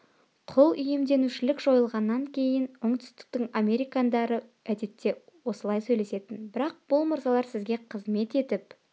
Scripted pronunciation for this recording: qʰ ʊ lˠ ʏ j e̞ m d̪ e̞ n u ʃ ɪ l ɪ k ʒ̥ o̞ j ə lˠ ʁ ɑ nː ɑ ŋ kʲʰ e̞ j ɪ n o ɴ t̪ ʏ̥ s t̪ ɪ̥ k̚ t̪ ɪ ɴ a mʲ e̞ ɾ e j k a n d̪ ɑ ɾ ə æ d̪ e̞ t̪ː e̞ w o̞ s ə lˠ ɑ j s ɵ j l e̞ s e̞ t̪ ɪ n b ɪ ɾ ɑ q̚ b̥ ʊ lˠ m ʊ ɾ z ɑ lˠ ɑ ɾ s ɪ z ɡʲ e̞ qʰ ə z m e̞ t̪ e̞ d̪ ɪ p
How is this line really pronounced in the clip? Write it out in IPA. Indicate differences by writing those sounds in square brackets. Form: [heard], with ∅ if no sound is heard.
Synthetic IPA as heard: qʰ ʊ lˠ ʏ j e̞ m d̪ e̞ n u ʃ ɪ l ɪ k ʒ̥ o̞ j ə lˠ ʁ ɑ nː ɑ ŋ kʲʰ e̞ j ɪ n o ɴ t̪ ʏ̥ s t̪ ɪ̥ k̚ t̪ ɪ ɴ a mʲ e̞ ɾ [i] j k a n d̪ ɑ ɾ ə æ d̪ e̞ t̪ː e̞ w o̞ s ə lˠ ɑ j s ɵ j l e̞ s e̞ t̪ ɪ n b ɪ ɾ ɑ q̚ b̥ ʊ lˠ m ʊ ɾ z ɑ lˠ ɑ ɾ s ɪ z ɡʲ e̞ qʰ ə z m e̞ t̪ e̞ [t̪] ɪ p